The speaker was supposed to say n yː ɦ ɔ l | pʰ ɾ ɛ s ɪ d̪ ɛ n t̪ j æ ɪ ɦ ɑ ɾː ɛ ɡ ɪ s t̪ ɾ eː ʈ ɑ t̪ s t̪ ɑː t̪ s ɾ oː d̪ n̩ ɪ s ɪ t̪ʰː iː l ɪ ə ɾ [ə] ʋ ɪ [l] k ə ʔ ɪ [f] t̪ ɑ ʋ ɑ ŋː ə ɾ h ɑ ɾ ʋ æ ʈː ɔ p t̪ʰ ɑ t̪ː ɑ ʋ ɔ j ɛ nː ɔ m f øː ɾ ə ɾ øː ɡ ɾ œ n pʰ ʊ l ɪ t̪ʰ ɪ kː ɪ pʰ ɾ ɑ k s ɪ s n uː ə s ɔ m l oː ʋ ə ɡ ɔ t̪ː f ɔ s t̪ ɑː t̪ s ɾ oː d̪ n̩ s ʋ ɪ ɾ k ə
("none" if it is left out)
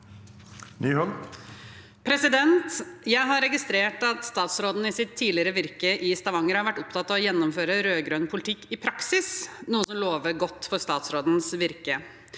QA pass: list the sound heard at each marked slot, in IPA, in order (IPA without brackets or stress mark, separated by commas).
ə, ɾ, s